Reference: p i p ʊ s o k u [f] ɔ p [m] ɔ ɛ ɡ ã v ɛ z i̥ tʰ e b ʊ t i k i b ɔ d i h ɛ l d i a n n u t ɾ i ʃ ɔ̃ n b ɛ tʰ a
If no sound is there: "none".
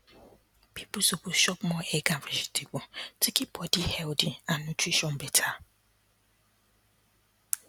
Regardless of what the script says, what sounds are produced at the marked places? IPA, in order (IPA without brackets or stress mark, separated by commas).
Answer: ʃ, m